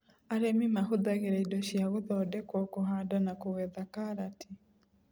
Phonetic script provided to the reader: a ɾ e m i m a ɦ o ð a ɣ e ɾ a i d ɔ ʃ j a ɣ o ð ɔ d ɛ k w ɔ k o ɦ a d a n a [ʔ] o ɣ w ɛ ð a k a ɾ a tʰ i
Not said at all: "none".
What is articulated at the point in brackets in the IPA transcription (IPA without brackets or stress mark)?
k